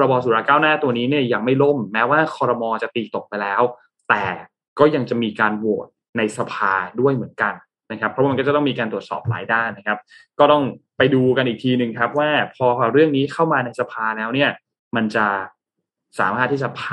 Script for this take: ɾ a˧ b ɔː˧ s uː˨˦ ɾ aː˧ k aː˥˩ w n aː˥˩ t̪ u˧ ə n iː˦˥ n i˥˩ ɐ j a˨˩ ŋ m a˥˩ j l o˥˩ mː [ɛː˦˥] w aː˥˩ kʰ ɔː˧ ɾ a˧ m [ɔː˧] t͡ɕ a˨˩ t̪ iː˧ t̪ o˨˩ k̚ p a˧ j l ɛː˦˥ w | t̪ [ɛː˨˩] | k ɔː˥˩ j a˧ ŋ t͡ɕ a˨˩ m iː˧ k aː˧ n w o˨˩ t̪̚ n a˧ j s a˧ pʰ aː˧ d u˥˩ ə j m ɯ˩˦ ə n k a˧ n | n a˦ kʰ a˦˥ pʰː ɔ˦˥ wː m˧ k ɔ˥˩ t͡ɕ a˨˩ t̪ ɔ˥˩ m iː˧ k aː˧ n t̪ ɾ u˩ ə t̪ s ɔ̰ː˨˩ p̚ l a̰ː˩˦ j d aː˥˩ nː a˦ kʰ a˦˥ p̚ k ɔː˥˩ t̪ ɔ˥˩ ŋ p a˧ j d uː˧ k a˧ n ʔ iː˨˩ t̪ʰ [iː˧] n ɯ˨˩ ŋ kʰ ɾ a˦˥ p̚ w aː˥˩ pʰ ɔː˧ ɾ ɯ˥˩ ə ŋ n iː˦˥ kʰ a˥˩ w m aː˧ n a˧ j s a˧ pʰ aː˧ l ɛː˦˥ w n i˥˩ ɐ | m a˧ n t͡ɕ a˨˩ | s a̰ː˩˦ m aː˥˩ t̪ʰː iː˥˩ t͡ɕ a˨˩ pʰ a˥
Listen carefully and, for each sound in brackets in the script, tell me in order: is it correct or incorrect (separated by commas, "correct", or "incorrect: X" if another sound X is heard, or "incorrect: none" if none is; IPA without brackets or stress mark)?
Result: correct, correct, correct, correct